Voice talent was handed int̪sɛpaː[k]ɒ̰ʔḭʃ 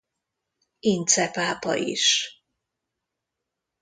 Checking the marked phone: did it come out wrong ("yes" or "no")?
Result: yes